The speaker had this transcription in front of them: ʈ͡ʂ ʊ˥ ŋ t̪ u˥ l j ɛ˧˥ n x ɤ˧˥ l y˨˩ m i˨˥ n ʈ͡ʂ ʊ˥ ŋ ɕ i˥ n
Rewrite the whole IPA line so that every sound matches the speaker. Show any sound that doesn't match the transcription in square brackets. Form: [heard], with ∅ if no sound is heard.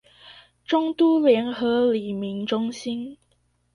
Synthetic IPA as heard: ʈ͡ʂ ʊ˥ ŋ t̪ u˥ l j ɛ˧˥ n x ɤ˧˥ l [i˨˩] m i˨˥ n ʈ͡ʂ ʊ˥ ŋ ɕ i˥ n